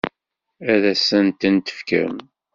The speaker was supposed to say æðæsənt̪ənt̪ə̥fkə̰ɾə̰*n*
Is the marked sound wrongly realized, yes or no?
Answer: yes